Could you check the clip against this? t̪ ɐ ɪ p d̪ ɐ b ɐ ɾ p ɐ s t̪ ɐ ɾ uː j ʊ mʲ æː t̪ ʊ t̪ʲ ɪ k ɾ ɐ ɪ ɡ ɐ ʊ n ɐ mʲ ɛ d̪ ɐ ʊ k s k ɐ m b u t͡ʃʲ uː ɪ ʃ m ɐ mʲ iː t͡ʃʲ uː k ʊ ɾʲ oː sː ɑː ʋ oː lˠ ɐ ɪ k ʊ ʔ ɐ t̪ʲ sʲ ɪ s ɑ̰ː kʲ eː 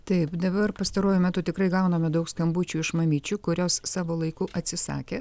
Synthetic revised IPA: t̪ ɐ ɪ p d̪ ɐ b ɐ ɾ p ɐ s t̪ ɐ ɾ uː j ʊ mʲ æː t̪ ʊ t̪ʲ ɪ k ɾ ɐ ɪ ɡ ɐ ʊ n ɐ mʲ ɛ d̪ ɐ ʊ k s k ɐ m b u t͡ʃʲ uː ɪ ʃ m ɐ mʲ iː t͡ʃʲ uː k ʊ ɾʲ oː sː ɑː ʋ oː lˠ ɐ ɪ k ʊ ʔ ɐ t̪ʲ sʲ ɪ s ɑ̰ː kʲ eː